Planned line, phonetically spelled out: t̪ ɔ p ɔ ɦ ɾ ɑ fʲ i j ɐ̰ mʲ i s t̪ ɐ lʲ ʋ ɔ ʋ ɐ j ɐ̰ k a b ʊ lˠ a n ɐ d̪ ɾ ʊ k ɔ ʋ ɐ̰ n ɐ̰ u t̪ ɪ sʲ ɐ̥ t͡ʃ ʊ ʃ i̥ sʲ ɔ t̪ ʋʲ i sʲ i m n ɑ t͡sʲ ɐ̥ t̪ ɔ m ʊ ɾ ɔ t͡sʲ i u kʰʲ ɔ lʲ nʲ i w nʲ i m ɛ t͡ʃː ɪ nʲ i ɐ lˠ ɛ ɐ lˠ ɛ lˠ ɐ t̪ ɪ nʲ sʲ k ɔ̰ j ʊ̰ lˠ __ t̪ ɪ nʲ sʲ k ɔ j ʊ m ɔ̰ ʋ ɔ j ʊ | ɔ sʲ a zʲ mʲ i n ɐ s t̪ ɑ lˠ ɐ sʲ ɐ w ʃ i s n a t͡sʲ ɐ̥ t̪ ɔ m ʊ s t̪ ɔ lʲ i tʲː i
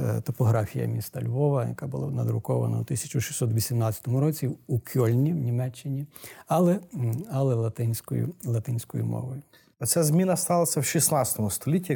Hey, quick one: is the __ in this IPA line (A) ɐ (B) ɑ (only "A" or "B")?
A